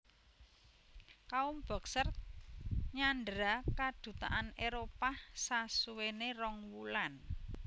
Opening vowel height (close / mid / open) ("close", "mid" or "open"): open